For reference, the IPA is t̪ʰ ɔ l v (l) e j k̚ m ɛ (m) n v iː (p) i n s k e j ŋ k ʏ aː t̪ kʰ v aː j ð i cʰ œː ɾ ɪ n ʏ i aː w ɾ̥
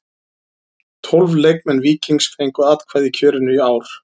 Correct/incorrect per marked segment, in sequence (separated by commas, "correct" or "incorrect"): correct, incorrect, incorrect